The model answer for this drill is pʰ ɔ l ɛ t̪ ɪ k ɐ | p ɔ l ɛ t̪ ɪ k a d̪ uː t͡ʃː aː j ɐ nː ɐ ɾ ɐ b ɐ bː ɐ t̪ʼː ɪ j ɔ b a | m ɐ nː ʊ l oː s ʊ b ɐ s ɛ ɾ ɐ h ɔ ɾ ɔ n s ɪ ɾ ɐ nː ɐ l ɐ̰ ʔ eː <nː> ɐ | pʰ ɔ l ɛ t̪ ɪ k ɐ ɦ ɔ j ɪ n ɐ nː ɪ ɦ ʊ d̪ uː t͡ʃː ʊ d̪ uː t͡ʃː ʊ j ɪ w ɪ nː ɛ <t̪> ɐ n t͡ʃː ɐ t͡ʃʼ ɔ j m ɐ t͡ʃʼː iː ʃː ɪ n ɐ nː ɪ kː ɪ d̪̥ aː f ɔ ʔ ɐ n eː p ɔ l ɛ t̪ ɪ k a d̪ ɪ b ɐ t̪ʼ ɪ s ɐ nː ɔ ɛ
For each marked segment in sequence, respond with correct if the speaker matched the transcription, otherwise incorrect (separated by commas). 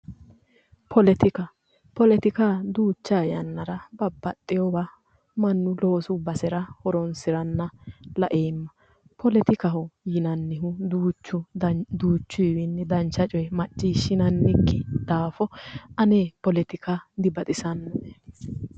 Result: incorrect, incorrect